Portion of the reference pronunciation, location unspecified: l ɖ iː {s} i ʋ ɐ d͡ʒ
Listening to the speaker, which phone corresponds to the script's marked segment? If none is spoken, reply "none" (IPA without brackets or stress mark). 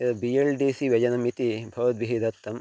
s